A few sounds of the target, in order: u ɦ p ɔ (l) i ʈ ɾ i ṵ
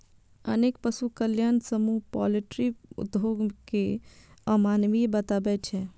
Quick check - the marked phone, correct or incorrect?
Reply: correct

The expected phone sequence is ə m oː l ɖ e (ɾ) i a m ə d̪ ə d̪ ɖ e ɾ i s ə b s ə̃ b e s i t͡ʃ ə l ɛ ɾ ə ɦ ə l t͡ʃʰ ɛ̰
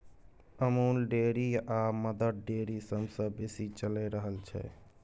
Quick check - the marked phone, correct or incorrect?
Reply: correct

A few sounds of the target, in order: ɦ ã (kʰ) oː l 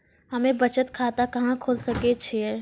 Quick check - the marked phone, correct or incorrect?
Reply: correct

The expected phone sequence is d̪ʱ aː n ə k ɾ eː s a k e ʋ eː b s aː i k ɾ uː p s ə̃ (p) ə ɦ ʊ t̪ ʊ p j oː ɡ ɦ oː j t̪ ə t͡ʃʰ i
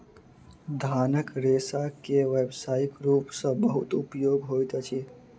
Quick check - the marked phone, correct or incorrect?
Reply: incorrect: b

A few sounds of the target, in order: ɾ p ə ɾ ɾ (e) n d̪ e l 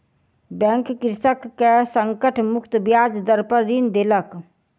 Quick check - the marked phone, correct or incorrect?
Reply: incorrect: i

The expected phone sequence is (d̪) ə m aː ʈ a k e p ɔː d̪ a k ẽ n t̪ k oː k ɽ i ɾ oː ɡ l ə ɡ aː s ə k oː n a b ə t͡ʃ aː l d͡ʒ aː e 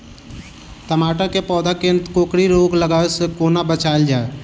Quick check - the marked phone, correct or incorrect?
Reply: incorrect: t̪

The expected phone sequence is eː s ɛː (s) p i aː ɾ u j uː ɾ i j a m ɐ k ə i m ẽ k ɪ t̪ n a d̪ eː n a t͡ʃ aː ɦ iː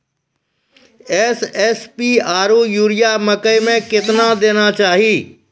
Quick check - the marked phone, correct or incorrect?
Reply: correct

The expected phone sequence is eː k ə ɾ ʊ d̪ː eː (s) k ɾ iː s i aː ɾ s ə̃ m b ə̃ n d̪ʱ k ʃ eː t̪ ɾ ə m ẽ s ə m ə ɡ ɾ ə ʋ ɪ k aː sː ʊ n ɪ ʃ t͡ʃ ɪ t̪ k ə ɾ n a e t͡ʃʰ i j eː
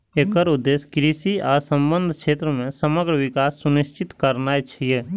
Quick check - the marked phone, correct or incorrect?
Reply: correct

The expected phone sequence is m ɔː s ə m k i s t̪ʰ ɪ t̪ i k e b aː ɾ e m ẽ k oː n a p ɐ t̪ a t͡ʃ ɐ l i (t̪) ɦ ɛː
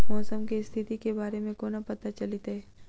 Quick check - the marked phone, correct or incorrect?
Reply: correct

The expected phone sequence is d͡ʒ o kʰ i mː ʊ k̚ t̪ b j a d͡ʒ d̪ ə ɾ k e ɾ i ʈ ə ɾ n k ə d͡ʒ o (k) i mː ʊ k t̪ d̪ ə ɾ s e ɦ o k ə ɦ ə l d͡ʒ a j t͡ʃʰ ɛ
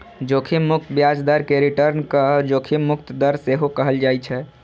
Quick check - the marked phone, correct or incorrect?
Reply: incorrect: kʰ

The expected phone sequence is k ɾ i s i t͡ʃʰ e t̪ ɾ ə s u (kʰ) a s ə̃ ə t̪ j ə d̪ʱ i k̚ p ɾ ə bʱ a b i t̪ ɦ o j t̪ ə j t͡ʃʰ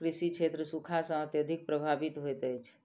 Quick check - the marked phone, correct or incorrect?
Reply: correct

